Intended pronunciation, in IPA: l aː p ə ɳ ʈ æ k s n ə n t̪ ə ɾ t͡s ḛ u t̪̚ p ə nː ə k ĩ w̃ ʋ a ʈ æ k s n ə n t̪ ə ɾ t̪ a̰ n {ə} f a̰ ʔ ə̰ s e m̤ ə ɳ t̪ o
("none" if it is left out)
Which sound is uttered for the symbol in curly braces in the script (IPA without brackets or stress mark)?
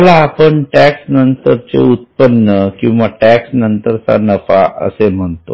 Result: ə